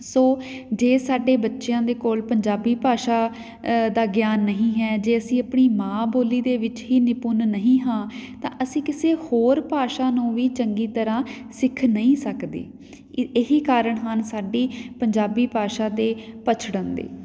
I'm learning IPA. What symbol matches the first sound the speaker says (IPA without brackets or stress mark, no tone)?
s